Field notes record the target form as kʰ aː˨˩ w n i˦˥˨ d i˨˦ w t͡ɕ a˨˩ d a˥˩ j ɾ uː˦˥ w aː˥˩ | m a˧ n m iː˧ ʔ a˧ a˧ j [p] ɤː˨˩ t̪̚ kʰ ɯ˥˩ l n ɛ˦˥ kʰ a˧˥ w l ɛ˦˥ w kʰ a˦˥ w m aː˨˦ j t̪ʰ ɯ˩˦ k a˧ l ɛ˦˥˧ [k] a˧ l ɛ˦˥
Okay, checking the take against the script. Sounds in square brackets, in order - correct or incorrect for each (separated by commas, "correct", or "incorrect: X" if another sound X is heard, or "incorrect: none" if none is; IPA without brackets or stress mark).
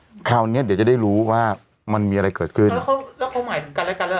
incorrect: k, correct